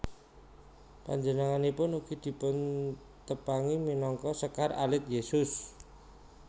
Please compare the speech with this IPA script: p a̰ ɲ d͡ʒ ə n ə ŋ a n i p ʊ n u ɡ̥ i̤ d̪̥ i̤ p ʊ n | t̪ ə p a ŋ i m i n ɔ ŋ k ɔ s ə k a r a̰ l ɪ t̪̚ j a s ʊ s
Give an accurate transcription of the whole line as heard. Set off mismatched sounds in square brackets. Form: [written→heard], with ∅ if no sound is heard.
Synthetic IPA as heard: p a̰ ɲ d͡ʒ ə n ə ŋ a n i p ʊ n u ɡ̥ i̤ d̪̥ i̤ p ʊ n | t̪ ə p a ŋ i m i n ɔ ŋ k ɔ s ə k a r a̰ l ɪ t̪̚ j [a→e] s ʊ s